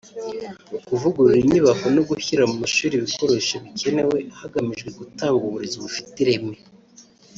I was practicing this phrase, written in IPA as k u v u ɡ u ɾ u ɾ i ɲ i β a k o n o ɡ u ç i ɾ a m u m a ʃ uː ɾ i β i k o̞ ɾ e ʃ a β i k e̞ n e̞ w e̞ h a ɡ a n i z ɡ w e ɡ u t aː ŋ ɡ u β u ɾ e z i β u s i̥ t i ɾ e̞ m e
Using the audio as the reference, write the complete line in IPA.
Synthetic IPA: k u v u ɡ u ɾ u ɾ i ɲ i β a k o n o ɡ u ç i ɾ a m u m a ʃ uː ɾ i β i k o̞ ɾ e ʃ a β i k e̞ n e̞ w e̞ h a ɡ a m i ʒ ɡ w e ɡ u t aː ŋ ɡ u β u ɾ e z i β u f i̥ t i ɾ e̞ m e